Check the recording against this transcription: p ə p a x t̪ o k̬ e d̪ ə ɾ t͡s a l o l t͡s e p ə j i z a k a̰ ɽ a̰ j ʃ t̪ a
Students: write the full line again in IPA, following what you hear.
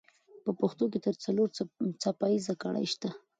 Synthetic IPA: p ə p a x t̪ o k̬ e t̪ ə ɾ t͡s a l o ɾ t͡s a p a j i z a k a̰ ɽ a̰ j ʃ t̪ a